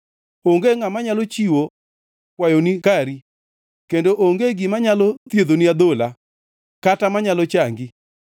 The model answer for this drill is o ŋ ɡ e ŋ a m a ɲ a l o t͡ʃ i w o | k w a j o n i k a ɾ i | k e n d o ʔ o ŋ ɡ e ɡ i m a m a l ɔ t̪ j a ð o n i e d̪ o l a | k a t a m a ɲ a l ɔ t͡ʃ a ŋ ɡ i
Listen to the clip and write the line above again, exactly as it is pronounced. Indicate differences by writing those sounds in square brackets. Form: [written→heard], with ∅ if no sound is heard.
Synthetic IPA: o ŋ ɡ e ŋ a m a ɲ a l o t͡ʃ i w o | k w a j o n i k a ɾ i | k e n d o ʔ o ŋ ɡ e ɡ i m a [m→ɲ] a l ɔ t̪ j [a→e] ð o n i [e→a] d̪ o l a | k a t a m a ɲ a l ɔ t͡ʃ a ŋ ɡ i